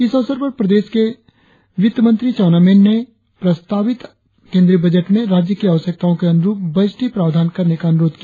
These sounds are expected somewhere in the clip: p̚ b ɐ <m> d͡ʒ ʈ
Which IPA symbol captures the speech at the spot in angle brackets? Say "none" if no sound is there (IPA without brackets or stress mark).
none